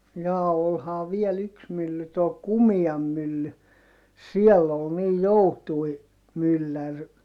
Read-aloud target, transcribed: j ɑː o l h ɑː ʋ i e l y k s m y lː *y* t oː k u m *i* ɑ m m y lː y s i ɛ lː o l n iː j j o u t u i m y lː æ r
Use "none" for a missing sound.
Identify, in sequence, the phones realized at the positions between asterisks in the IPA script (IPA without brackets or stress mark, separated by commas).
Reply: y, i